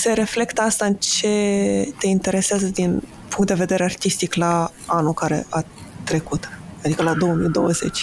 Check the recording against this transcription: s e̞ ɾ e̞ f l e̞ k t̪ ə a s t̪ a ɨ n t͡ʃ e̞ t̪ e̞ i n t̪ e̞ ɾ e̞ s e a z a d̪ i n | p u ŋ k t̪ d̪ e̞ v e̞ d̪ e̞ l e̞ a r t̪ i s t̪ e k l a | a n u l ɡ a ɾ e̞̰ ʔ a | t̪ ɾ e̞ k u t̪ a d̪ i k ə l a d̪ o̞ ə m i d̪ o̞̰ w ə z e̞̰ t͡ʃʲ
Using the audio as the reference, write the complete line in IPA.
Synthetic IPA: s e̞ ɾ e̞ f l e̞ k t̪ ə a s t̪ a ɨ n t͡ʃ e̞ t̪ e̞ i n t̪ e̞ ɾ e̞ s e a z ə d̪ i n | p u ŋ k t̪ d̪ e̞ v e̞ d̪ e̞ ɾ e̞ a r t̪ i s t̪ i k l a | a n u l k a ɾ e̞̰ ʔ a | t̪ ɾ e̞ k u t̪ a d̪ i k ə l a d̪ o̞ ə m i d̪ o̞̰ w ə z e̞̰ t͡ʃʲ